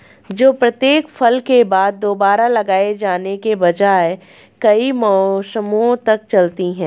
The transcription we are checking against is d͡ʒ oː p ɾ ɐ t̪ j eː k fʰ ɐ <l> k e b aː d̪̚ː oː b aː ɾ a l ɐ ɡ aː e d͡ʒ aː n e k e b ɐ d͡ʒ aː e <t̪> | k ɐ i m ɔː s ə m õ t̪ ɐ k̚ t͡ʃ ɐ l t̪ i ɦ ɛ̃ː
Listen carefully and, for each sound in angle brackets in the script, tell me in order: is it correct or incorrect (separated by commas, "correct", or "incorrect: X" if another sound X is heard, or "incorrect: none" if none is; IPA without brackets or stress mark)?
correct, incorrect: none